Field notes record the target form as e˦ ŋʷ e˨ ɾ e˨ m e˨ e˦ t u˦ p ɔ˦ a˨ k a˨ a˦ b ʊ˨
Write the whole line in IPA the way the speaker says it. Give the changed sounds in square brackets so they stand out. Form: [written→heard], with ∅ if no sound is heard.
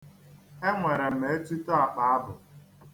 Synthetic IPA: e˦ ŋʷ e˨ ɾ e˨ m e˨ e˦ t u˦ [p→t] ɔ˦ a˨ [k→k͡p] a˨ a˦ b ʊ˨